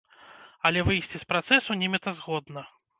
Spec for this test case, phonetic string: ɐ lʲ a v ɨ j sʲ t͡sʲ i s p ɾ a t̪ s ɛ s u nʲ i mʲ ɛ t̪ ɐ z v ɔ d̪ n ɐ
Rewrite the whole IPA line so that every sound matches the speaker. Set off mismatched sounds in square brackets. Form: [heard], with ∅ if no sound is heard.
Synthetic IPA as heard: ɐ lʲ [ɛ] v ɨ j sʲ t͡sʲ i s p ɾ a t̪ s ɛ s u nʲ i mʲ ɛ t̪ ɐ z [ɣ] ɔ d̪ n ɐ